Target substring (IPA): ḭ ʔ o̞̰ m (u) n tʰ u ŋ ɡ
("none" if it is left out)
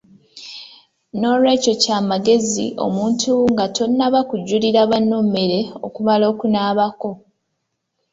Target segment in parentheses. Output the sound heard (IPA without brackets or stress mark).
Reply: uː